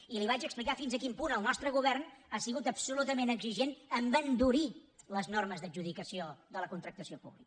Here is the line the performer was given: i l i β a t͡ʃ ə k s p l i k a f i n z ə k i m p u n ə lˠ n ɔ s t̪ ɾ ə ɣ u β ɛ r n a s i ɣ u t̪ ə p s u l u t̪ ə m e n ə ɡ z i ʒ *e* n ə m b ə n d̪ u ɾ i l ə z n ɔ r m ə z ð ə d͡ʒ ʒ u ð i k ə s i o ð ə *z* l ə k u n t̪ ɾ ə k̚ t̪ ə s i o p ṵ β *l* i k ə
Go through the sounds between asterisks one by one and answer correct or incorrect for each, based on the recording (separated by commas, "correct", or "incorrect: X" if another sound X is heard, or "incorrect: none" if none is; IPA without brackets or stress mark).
correct, incorrect: none, correct